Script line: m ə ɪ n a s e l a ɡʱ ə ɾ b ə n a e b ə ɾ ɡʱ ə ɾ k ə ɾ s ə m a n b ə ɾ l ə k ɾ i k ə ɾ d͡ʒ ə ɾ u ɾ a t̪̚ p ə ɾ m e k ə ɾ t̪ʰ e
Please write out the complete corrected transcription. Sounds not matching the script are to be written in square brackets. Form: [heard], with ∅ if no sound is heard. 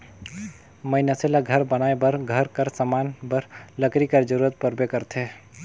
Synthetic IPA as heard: m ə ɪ n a s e l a ɡʱ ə ɾ b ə n a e b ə ɾ ɡʱ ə ɾ k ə ɾ s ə m a n b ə ɾ l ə k ɾ i k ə ɾ d͡ʒ ə ɾ u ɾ [ə] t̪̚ p ə ɾ [b] e k ə ɾ t̪ʰ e